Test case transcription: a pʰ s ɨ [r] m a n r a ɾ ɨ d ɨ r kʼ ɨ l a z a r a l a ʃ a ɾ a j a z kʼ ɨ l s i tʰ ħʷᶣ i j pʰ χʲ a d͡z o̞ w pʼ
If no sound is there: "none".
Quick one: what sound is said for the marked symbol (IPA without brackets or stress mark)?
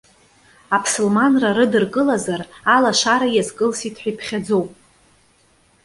l